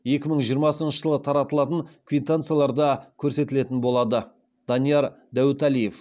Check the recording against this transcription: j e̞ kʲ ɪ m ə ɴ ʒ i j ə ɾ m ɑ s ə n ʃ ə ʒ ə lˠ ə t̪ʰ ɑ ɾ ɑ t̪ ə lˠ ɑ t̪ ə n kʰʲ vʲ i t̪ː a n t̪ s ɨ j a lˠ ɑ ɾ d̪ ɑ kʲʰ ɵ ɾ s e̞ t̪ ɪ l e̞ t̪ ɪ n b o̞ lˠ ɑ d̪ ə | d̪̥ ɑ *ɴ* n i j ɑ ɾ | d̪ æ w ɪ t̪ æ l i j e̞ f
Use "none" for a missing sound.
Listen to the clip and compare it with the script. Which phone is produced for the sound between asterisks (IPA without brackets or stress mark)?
none